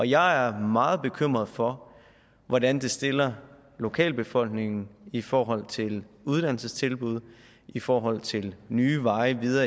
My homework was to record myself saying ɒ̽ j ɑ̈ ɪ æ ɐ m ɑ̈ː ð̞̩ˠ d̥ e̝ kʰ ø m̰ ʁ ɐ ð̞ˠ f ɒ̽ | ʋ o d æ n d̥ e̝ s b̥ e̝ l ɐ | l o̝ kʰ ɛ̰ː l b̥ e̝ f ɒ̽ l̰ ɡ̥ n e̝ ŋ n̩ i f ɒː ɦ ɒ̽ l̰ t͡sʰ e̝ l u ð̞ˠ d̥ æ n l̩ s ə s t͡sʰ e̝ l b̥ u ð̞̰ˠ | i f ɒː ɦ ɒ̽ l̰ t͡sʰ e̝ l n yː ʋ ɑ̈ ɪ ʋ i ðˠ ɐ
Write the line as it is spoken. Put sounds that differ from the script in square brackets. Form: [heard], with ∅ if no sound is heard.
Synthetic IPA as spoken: ɒ̽ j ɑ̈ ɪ æ ɐ m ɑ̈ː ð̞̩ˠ [b̥] e̝ kʰ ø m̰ ʁ ɐ ð̞ˠ f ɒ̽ | ʋ [ɒ] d æ n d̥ e̝ s [d̥] e̝ l ɐ | l o̝ kʰ ɛ̰ː l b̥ e̝ f ɒ̽ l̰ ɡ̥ n e̝ ŋ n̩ i f ɒː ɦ ɒ̽ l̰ t͡sʰ e̝ l u ð̞ˠ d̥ æ n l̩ s ə s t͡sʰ e̝ l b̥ u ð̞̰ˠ | i f ɒː ɦ ɒ̽ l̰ t͡sʰ e̝ l n yː ʋ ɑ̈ ɪ ʋ i ðˠ ɐ